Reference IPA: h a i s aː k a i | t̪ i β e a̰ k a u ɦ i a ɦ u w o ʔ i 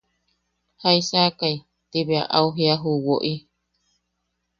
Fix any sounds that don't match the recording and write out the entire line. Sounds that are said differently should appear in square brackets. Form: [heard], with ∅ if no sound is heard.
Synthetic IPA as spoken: h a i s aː k a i | t̪ i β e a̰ [ʔ] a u ɦ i a ɦ u w o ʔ i